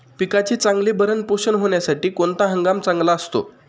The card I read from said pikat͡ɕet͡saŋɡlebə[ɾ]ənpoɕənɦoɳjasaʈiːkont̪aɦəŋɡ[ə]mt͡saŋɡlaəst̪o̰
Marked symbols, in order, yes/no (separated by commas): yes, no